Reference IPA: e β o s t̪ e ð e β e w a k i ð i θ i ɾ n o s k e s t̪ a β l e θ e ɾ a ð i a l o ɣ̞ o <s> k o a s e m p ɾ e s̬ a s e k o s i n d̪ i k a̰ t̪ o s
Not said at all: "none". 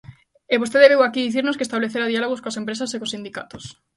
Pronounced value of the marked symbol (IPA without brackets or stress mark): s